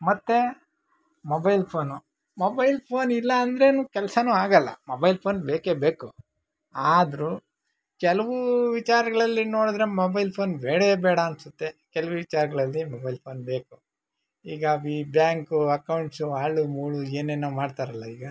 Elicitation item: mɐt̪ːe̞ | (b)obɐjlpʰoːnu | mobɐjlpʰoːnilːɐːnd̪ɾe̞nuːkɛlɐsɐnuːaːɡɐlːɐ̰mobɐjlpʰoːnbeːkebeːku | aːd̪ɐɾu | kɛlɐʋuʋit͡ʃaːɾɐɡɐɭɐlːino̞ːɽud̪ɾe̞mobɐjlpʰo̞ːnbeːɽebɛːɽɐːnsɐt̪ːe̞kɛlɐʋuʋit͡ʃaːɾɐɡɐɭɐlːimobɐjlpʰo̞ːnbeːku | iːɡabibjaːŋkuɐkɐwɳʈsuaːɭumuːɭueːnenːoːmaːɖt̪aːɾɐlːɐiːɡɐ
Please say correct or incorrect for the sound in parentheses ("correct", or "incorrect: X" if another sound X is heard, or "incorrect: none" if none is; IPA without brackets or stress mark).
incorrect: m